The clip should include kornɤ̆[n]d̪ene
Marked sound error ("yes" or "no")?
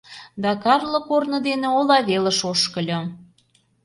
yes